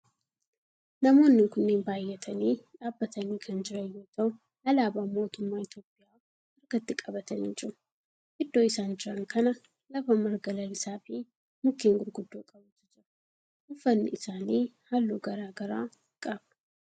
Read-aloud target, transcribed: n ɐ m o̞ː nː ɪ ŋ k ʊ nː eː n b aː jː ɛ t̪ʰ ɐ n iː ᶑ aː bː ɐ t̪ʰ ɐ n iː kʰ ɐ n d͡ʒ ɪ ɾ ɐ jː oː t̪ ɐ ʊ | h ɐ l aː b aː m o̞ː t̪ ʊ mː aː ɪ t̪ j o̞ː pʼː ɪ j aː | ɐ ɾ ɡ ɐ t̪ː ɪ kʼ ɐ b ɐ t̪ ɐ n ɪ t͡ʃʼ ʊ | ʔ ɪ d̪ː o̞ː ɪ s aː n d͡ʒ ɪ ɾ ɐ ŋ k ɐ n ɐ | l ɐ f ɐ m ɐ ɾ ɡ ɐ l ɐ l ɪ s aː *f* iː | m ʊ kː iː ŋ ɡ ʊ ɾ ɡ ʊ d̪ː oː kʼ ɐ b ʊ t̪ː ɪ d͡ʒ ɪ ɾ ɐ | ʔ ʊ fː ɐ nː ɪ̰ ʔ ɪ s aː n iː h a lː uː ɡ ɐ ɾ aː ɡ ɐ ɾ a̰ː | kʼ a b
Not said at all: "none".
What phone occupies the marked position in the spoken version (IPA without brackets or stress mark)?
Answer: f